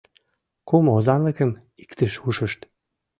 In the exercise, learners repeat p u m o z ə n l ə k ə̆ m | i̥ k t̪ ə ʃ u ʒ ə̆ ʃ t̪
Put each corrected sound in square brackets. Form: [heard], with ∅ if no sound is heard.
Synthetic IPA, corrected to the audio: [k] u m o z [ɑ] n l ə k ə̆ m | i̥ k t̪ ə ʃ u [ʃ] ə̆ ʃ t̪